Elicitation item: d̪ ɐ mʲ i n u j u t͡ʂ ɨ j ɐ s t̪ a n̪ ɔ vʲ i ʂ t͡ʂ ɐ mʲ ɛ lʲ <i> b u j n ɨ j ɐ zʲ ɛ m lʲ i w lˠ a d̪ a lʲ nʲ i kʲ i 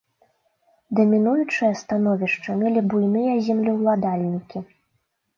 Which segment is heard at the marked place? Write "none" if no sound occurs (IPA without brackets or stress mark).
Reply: i